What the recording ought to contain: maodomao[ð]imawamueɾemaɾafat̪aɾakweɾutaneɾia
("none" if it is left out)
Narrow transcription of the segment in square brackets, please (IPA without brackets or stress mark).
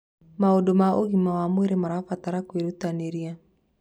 ɣ